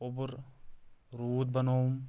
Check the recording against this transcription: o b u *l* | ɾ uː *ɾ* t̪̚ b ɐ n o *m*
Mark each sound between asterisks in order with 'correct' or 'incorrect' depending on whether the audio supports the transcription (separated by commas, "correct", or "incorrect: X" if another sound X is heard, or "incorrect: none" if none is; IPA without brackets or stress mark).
incorrect: ɾ, incorrect: none, correct